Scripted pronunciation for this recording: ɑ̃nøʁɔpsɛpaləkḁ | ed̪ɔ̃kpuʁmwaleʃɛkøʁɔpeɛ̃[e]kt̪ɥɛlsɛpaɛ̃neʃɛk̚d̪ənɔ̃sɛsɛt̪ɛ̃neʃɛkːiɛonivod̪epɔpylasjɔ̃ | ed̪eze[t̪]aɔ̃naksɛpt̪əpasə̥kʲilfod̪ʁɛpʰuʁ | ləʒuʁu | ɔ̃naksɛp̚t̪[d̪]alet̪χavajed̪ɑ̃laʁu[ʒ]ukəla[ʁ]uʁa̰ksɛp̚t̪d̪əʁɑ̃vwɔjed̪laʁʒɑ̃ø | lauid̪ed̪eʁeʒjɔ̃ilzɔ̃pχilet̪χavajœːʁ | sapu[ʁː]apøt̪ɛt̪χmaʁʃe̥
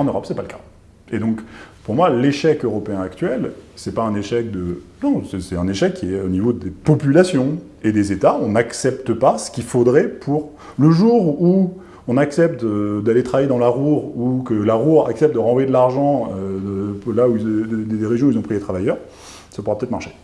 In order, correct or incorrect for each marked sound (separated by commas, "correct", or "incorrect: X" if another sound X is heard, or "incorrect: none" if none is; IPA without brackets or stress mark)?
incorrect: a, correct, correct, incorrect: ʁ, correct, incorrect: ʁ